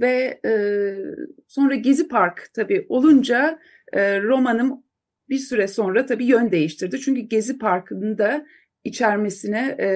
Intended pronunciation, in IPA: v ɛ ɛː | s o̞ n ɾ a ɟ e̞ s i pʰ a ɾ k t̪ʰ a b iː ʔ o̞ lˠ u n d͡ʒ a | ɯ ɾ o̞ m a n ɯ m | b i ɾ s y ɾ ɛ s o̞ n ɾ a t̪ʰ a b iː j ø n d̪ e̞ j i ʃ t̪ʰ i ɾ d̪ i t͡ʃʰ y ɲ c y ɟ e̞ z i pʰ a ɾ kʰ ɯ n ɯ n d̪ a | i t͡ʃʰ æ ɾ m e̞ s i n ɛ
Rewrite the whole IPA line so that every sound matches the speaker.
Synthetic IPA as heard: v ɛ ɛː | s o̞ n ɾ a ɟ e̞ z i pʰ a ɾ k t̪ʰ a b iː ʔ o̞ lˠ u n d͡ʒ a | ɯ ɾ o̞ m a n ɯ m | b i ɾ s y ɾ ɛ s o̞ n ɾ a t̪ʰ a b iː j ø n d̪ e̞ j i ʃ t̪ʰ i ɾ d̪ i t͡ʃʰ y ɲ c y ɟ e̞ z i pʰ a ɾ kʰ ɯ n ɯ n d̪ a | i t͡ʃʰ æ ɾ m e̞ s i n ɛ